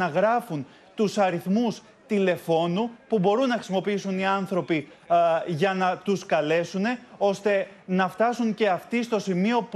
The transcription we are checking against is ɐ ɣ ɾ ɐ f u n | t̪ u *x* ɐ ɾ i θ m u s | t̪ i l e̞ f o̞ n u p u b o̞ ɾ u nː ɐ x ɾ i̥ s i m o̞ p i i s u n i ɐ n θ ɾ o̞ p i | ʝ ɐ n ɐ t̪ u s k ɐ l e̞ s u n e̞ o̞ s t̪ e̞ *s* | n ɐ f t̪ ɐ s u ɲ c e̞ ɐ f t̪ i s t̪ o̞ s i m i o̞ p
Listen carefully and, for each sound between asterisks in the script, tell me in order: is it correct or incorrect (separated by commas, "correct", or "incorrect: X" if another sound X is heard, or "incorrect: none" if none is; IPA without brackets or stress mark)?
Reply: incorrect: s, incorrect: none